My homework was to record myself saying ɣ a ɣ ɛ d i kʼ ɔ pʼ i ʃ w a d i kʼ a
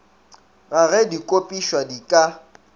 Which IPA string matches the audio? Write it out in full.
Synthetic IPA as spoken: ɣ a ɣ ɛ d i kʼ o pʼ i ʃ w a d i kʼ a